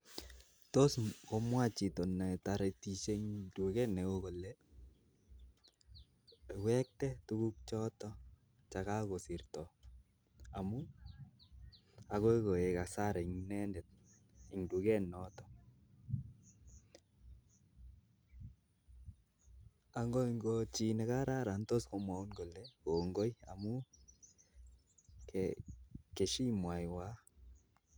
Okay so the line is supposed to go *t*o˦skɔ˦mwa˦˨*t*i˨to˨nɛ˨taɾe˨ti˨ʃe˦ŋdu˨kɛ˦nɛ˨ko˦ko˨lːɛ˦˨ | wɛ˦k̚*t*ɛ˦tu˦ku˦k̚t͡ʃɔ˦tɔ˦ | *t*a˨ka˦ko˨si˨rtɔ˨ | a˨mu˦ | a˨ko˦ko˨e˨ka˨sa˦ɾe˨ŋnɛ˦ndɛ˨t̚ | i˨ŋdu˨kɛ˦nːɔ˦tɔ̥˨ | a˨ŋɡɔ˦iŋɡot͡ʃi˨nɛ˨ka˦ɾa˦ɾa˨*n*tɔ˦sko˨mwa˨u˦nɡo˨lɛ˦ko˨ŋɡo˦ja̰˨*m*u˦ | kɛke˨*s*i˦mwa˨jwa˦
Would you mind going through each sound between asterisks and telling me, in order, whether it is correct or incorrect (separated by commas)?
correct, incorrect, correct, incorrect, correct, correct, incorrect